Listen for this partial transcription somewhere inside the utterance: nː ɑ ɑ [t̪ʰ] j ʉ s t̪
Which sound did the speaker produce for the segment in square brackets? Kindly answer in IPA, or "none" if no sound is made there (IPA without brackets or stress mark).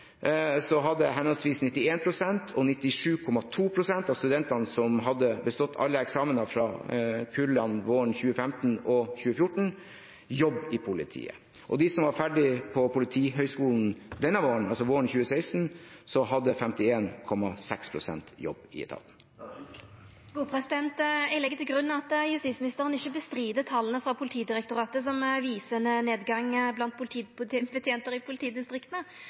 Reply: t̪